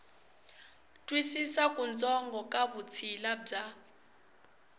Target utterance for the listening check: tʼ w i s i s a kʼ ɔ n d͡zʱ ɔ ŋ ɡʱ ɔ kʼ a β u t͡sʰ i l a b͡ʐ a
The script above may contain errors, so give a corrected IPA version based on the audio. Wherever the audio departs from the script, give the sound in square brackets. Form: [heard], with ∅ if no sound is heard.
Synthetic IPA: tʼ w i s i s a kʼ [u] n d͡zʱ ɔ ŋ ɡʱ ɔ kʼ a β u t͡sʰ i l a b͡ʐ a